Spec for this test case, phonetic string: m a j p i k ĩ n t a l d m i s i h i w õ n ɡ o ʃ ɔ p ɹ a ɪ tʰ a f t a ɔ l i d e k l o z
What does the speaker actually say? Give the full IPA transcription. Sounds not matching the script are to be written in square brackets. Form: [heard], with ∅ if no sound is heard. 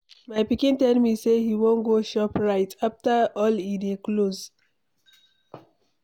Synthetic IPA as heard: m a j p i k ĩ n t [ɛ] l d m i s [e] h i w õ n ɡ o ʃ ɔ p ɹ a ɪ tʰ a f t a ɔ l i d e k l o z